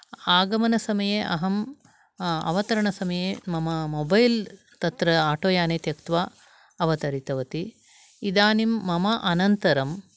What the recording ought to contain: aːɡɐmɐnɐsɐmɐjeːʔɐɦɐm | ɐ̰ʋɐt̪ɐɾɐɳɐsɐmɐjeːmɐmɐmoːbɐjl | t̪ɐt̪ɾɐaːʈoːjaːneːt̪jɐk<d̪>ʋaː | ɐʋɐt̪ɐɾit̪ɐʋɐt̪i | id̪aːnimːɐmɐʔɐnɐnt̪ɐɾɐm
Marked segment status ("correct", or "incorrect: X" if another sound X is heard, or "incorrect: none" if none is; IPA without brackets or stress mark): incorrect: t̪